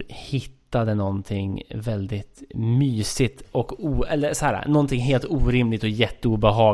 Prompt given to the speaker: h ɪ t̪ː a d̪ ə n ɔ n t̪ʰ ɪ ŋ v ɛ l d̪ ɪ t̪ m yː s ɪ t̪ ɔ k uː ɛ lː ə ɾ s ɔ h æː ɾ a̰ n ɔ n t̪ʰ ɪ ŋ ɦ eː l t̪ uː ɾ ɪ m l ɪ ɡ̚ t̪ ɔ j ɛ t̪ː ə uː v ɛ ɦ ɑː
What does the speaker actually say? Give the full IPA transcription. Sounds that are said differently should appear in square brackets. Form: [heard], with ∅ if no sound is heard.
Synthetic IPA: h ɪ t̪ː a d̪ ə n ɔ n t̪ʰ ɪ ŋ v ɛ l d̪ ɪ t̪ m yː s ɪ t̪ ɔ k uː ɛ lː ə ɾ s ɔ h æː ɾ a̰ n ɔ n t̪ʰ ɪ ŋ ɦ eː l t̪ uː ɾ ɪ m l ɪ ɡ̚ t̪ ɔ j ɛ t̪ː ə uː [b] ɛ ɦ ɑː